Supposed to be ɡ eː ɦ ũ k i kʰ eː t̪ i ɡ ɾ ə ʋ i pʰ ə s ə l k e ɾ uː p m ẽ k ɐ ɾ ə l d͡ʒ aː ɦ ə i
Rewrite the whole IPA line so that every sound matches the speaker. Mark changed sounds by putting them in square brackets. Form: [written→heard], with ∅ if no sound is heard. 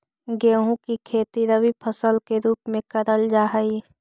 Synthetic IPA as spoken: ɡ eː ɦ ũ k i kʰ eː t̪ i [ɡ→∅] ɾ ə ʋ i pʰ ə s ə l k e ɾ uː p m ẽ k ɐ ɾ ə l d͡ʒ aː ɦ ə i